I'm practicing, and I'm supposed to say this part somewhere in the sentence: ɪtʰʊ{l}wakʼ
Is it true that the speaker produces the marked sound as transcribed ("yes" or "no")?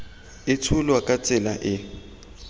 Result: yes